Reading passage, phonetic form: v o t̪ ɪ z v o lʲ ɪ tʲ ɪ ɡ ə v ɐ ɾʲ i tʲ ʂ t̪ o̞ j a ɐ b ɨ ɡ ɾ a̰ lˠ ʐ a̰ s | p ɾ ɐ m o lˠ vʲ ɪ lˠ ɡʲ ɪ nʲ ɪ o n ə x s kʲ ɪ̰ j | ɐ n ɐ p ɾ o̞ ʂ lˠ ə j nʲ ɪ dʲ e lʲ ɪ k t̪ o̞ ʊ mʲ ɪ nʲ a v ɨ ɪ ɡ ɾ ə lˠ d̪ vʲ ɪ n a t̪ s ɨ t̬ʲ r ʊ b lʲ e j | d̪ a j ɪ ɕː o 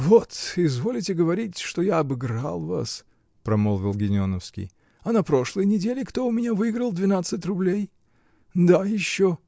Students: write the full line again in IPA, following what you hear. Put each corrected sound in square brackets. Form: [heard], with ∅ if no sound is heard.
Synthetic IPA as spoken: v o t̪ ɪ z v o lʲ ɪ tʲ ɪ ɡ ə v ɐ ɾʲ i tʲ ʂ t̪ o̞ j a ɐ b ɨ ɡ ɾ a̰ lˠ [v] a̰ s | p ɾ ɐ m o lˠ vʲ ɪ lˠ ɡʲ ɪ nʲ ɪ o n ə [f] s kʲ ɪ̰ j | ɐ n ɐ p ɾ o̞ ʂ lˠ ə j nʲ ɪ dʲ e lʲ ɪ k t̪ o̞ ʊ mʲ ɪ nʲ a v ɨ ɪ ɡ ɾ ə lˠ d̪ vʲ ɪ n a t̪ s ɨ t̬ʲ r ʊ b lʲ e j | d̪ a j ɪ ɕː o

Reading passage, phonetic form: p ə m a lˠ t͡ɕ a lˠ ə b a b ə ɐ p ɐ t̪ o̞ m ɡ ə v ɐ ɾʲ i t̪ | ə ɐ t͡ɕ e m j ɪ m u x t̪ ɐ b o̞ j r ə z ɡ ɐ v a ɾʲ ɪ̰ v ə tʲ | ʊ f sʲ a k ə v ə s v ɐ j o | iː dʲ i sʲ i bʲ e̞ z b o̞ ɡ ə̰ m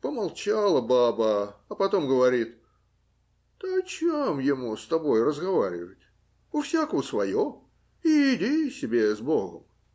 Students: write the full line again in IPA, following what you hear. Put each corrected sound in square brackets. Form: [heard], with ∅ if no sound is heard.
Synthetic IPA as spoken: p ə m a lˠ t͡ɕ a lˠ ə b a b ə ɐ p ɐ t̪ o̞ m ɡ ə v ɐ ɾʲ i t̪ | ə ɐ t͡ɕ e m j ɪ m u [s] t̪ ɐ b o̞ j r ə z ɡ ɐ v a ɾʲ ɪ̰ v ə tʲ | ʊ f sʲ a k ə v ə s v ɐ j o | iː dʲ i sʲ [ɪ] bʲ e̞ z b o̞ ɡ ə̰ m

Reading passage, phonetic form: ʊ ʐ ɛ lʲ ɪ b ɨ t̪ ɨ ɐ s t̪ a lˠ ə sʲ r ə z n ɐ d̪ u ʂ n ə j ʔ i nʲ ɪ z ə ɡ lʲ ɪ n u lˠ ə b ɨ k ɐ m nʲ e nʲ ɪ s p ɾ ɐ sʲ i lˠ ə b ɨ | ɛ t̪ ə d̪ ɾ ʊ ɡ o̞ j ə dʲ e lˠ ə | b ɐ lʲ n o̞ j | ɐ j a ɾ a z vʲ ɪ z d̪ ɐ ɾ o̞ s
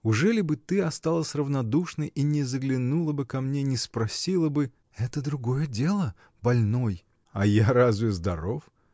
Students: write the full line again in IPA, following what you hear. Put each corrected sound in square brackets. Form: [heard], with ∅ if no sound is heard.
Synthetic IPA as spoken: ʊ ʐ ɛ lʲ ɪ b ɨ t̪ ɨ ɐ s t̪ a lˠ ə sʲ r ə [v] n ɐ d̪ u ʂ n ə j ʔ i nʲ ɪ z ə ɡ lʲ ɪ n u lˠ ə b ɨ k ɐ m nʲ e nʲ ɪ s p ɾ ɐ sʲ i lˠ ə b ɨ | ɛ t̪ ə d̪ ɾ ʊ ɡ o̞ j ə dʲ e lˠ ə | b ɐ lʲ n o̞ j | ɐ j a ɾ a z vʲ ɪ z d̪ ɐ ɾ o̞ [f]

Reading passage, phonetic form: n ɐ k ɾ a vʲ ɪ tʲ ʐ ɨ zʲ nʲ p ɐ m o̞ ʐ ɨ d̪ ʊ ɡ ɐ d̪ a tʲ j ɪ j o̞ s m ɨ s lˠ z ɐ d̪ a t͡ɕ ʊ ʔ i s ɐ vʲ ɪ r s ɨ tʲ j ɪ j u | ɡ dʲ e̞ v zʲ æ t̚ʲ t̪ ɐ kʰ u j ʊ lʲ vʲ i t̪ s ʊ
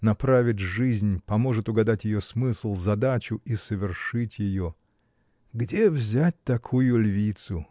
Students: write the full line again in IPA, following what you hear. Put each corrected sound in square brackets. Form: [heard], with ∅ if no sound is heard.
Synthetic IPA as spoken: n ɐ [p] ɾ a vʲ ɪ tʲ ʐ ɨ zʲ nʲ p ɐ m o̞ ʐ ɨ [t̪] ʊ ɡ ɐ d̪ a tʲ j ɪ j o̞ s m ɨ s lˠ z ɐ d̪ a t͡ɕ ʊ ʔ i s [ə] vʲ ɪ r [ʂ] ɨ tʲ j ɪ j [o] | ɡ dʲ e̞ v zʲ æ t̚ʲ t̪ ɐ kʰ u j ʊ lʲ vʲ i t̪ s ʊ

